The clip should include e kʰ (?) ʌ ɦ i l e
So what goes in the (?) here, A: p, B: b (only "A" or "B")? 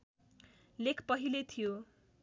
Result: A